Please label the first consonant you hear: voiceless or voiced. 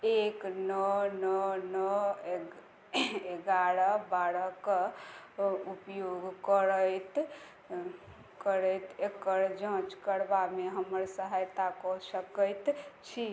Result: voiceless